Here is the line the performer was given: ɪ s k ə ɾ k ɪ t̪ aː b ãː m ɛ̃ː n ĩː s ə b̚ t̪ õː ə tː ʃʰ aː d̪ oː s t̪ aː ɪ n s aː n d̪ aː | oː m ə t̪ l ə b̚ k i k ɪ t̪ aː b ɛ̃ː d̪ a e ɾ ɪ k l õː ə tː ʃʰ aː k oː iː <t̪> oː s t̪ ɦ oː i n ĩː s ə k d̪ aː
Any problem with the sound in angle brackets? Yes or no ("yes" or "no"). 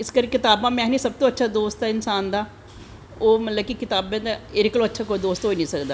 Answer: yes